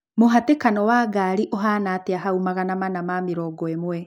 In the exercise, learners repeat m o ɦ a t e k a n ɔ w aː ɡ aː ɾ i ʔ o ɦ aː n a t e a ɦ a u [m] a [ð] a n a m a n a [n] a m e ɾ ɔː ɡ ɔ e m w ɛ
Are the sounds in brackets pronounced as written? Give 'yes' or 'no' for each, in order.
yes, no, no

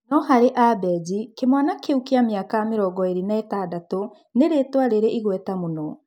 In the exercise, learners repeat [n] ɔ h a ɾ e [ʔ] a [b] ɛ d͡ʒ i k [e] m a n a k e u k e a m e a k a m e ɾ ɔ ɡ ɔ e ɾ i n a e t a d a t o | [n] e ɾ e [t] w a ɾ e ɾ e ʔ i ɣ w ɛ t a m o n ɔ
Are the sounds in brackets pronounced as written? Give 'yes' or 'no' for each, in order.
yes, yes, yes, yes, yes, yes

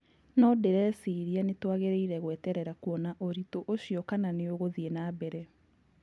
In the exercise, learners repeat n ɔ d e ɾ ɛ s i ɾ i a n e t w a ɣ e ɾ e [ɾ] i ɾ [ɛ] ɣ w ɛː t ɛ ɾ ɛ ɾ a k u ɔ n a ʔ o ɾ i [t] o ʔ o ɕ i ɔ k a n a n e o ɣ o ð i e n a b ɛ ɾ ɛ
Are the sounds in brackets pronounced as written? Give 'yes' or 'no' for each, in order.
no, yes, yes

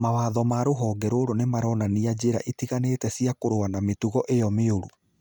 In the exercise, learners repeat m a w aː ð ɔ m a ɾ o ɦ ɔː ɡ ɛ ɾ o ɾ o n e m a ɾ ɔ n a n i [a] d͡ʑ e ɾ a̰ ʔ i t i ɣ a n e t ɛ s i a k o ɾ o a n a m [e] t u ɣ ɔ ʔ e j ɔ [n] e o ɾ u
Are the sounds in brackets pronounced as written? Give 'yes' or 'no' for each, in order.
yes, yes, no

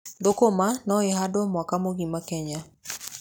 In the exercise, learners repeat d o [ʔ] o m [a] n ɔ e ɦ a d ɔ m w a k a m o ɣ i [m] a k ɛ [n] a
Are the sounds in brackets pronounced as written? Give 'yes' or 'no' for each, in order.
no, yes, yes, no

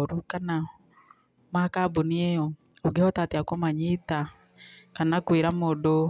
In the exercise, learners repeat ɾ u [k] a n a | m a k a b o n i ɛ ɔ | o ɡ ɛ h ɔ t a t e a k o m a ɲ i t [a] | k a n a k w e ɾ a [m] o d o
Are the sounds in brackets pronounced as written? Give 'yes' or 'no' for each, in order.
yes, yes, yes

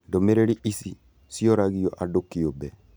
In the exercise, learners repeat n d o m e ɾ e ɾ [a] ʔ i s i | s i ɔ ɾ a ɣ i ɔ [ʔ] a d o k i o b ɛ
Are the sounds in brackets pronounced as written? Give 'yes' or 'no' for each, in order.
no, yes

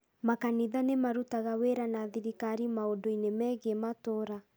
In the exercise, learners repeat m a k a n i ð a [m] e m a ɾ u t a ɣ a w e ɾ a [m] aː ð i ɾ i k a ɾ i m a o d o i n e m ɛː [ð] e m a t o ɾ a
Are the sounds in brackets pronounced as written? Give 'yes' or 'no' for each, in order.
no, no, no

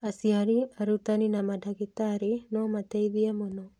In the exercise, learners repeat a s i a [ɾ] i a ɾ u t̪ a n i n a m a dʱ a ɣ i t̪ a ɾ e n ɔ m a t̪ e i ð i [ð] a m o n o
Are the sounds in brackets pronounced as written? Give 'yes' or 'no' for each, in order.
yes, no

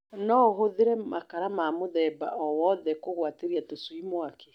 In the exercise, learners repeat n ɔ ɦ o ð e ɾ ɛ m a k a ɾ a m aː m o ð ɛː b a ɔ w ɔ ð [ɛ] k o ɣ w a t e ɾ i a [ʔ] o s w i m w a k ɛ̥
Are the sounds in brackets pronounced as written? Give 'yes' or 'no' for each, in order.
yes, no

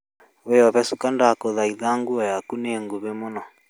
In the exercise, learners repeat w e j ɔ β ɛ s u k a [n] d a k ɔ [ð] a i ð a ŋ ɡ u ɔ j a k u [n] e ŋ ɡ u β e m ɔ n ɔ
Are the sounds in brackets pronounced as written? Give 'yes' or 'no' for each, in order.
yes, yes, yes

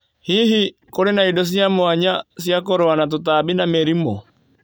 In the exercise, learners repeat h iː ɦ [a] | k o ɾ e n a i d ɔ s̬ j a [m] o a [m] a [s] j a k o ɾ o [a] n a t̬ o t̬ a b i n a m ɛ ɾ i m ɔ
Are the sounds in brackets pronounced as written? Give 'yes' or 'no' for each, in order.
no, yes, no, yes, yes

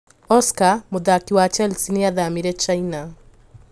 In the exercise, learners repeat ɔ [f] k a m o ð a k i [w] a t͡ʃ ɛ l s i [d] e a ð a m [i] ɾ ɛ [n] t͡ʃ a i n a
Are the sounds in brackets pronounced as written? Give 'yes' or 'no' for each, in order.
no, yes, no, yes, no

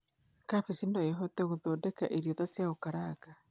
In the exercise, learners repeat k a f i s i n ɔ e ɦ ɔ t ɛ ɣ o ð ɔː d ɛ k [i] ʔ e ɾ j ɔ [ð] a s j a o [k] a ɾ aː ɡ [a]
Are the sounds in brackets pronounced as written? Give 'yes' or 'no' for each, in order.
no, yes, yes, yes

